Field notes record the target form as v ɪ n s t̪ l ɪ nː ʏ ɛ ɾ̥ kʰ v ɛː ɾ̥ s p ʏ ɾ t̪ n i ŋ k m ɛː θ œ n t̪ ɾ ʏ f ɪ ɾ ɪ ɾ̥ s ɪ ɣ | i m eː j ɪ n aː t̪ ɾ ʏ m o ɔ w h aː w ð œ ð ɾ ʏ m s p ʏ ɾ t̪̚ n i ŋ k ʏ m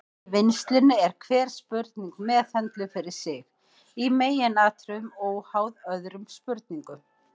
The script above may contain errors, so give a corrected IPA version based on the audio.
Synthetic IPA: v ɪ n s t̪ l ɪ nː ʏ ɛ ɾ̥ kʰ v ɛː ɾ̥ s p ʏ ɾ t̪ n i ŋ k m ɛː θ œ n t̪ l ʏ f ɪ ɾ ɪ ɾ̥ s ɪ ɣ | i m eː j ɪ n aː t̪ ɾ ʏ m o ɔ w h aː w ð œ ð ɾ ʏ m s p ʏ ɾ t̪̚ n i ŋ k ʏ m